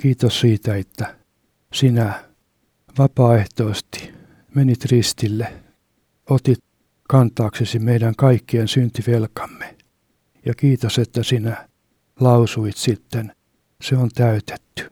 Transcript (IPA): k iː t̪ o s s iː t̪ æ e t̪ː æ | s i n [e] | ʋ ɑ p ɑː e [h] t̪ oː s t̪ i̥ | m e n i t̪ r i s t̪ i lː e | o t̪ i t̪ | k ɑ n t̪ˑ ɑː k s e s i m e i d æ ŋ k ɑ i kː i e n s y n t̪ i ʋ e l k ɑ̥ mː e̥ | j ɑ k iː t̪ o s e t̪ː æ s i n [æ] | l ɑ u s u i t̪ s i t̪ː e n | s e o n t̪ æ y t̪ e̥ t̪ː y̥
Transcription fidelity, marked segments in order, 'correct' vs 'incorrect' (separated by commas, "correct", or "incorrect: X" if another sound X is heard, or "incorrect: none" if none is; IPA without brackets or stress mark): incorrect: æ, correct, correct